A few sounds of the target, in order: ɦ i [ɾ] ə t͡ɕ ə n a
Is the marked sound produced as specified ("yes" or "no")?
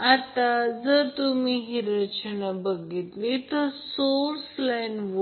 yes